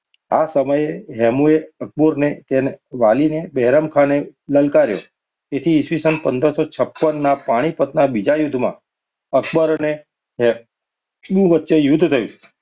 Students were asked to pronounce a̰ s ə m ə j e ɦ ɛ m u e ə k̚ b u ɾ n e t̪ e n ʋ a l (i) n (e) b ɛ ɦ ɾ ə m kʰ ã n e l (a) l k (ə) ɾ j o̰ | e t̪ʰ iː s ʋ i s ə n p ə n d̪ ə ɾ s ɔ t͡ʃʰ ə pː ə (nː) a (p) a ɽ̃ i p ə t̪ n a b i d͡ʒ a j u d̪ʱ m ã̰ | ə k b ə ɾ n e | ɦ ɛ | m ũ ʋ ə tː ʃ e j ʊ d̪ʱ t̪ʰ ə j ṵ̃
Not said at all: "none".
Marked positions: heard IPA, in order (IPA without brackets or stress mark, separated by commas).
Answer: i, e, ə, a, nː, p